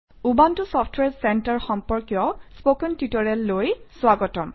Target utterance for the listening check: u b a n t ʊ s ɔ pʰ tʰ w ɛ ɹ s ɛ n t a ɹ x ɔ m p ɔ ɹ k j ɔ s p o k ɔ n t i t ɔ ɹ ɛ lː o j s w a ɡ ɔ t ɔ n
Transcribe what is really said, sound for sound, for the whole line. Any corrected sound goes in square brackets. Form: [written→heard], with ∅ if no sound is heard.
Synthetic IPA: u b a n t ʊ s ɔ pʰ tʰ w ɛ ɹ s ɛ n t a ɹ x ɔ m p ɔ ɹ k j ɔ s p o k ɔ n t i t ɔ ɹ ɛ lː o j s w a ɡ ɔ t ɔ [n→m]